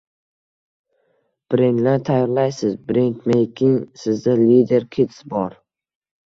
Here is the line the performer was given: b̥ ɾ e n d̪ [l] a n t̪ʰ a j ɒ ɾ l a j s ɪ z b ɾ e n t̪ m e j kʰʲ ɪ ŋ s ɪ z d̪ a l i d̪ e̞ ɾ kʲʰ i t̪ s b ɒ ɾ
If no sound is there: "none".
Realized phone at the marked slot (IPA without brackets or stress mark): l